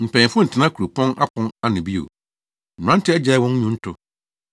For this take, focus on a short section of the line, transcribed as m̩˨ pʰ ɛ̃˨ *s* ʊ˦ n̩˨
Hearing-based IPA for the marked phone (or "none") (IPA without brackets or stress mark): f